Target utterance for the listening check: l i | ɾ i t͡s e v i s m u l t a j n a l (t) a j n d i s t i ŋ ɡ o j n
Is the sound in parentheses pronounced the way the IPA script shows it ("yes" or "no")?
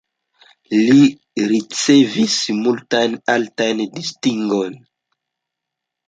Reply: yes